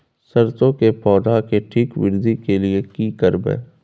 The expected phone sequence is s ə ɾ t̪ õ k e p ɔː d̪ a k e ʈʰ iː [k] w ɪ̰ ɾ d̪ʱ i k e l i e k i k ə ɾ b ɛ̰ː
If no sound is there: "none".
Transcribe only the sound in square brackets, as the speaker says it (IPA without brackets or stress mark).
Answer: k